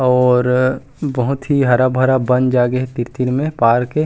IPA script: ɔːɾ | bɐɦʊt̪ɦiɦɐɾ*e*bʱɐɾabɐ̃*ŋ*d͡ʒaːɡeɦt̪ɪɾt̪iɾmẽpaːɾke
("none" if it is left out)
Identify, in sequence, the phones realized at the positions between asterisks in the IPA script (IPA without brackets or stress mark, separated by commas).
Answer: a, n